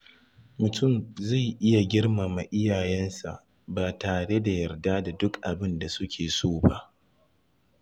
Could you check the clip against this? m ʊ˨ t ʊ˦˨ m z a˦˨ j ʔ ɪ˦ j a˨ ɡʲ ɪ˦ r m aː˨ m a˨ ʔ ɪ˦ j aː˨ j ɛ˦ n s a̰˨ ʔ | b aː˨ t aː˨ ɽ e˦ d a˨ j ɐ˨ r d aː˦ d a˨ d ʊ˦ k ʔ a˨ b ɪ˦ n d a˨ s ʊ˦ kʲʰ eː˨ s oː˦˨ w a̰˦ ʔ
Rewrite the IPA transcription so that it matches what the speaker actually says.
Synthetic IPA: m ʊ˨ t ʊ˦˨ m z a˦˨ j ʔ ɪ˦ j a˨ ɡʲ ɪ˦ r m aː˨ m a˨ ʔ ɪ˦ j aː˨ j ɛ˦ n s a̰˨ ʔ | b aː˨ t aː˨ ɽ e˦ d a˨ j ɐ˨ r d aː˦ d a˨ d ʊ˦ k ʔ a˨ b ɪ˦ n d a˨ s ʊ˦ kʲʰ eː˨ s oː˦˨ b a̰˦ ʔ